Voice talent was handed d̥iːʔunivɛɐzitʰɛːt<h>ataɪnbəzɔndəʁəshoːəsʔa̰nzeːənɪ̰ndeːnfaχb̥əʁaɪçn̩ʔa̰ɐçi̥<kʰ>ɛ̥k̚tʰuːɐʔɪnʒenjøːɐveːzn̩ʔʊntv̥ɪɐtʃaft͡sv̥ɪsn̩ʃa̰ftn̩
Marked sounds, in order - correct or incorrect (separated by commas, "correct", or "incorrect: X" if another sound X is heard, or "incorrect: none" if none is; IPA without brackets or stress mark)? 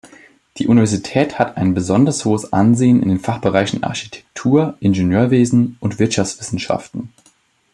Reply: correct, incorrect: tʰ